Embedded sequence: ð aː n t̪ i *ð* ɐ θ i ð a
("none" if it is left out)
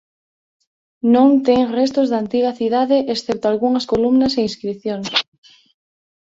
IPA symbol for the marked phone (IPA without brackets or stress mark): ɣ